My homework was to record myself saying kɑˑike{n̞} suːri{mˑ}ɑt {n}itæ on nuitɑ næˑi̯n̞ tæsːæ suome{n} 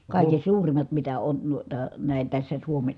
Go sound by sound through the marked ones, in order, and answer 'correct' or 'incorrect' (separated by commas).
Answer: correct, correct, incorrect, correct